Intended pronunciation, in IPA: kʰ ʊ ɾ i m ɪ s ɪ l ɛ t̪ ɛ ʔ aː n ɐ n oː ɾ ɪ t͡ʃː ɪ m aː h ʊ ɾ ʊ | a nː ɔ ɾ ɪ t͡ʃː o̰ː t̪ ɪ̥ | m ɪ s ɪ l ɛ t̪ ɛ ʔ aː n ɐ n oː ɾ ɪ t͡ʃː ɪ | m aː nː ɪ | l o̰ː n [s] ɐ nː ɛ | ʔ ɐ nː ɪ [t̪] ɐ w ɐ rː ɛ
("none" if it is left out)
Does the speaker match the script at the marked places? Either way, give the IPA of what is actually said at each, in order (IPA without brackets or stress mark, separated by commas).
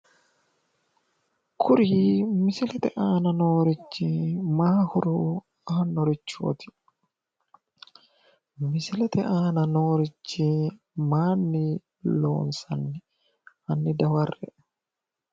s, d̪